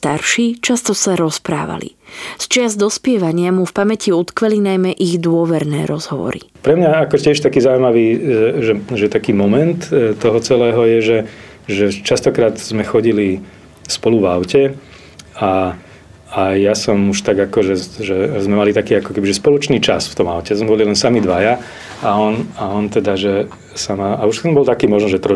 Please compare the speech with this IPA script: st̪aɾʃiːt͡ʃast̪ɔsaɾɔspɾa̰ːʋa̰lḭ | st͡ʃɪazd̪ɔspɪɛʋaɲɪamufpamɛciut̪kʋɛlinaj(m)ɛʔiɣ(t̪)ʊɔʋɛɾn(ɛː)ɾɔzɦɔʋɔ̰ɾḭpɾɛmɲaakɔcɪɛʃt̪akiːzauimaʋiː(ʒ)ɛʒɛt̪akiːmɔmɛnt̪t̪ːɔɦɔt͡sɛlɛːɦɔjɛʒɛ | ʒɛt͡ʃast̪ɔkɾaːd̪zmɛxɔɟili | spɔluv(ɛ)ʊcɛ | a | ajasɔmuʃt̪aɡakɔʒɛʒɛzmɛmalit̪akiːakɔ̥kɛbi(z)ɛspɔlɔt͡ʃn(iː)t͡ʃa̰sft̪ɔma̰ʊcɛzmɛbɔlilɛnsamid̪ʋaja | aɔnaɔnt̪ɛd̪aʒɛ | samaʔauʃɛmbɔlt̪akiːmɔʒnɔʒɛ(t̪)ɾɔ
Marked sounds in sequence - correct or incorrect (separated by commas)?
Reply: correct, incorrect, correct, correct, incorrect, incorrect, correct, correct